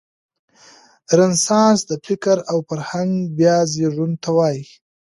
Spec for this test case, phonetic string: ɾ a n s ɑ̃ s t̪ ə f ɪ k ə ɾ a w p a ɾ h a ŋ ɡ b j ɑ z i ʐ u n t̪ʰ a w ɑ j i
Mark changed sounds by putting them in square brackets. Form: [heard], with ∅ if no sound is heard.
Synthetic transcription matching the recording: ɾ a n s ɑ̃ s [d̪] ə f ɪ k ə ɾ a w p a ɾ h a ŋ ɡ b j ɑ z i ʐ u n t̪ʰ a w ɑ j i